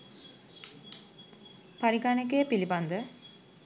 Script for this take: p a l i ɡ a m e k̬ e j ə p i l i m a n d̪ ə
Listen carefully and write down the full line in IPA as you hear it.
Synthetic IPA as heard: p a ɾ i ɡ a n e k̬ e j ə p i l i b a n d̪ ə